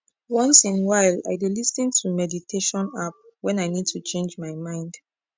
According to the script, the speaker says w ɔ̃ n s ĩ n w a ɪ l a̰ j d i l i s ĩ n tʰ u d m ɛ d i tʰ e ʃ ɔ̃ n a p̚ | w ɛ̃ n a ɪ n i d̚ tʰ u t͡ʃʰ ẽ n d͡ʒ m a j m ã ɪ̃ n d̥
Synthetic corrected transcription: w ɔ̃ n s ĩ n w a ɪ l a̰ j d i l i s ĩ n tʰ u m ɛ d i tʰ e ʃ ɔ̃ n a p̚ | w ɛ̃ n a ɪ n i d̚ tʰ u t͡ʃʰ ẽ n d͡ʒ m a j m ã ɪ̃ n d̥